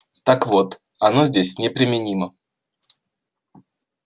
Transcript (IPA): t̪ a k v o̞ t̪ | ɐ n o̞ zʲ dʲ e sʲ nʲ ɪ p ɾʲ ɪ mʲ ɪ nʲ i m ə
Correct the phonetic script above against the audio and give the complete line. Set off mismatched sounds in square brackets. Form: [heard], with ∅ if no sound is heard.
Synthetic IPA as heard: t̪ a k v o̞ t̪ | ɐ n o̞ zʲ dʲ e sʲ nʲ ɪ p ɾʲ ɪ mʲ ɪ nʲ i m ə